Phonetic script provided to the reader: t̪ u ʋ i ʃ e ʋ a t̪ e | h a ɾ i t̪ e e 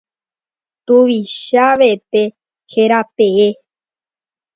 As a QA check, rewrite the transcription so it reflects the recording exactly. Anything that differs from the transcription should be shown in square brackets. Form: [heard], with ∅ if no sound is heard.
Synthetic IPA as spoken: t̪ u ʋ i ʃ [a] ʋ [e] t̪ e | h [e] ɾ [a] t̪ e e